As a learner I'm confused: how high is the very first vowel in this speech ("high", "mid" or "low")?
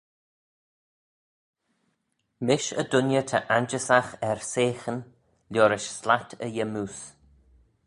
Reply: high